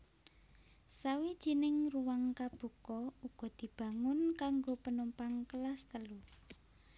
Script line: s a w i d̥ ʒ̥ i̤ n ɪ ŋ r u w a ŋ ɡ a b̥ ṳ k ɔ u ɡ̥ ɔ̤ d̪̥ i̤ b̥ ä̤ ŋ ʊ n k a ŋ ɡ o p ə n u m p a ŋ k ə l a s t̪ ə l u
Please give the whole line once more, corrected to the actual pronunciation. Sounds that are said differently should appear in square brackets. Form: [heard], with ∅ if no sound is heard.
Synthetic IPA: s a w i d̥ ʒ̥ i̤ n ɪ ŋ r u w a ŋ [k] a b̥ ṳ k ɔ u ɡ̥ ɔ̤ d̪̥ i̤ b̥ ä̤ ŋ ʊ n k a ŋ ɡ o p ə n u m p a ŋ k ə l a s t̪ ə l u